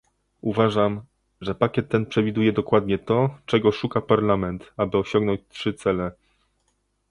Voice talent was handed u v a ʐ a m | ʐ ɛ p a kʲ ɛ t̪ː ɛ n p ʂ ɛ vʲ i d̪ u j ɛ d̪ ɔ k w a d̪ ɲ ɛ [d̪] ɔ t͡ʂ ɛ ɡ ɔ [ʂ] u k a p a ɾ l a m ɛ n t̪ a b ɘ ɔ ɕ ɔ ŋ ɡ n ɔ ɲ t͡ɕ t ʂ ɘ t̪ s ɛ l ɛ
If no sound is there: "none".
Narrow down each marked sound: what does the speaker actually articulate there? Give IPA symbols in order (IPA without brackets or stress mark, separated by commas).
t̪, ʂ